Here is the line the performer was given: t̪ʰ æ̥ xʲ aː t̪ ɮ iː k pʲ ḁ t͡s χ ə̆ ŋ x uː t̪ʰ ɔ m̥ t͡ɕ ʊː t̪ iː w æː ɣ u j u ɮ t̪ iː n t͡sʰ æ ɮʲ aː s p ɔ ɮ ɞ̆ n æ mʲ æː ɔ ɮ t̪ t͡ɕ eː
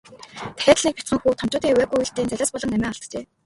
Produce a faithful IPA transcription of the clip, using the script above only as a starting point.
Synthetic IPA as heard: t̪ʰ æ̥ xʲ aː t̪ ɮ iː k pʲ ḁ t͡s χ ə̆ ŋ x uː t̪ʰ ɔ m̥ t͡ɕ ʊː t̪ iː w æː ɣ u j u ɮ t̪ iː n t͡s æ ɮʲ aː s p ɔ ɮ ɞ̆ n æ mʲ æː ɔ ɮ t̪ t͡ɕ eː